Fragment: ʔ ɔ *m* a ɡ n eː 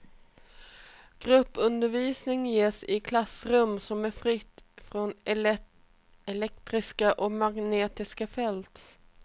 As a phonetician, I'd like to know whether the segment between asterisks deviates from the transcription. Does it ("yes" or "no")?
no